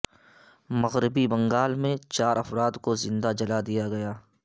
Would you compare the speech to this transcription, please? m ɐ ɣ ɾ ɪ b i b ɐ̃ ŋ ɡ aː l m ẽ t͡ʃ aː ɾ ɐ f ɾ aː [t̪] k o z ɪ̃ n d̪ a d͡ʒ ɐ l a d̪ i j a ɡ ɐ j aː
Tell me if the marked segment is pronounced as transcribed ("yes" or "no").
no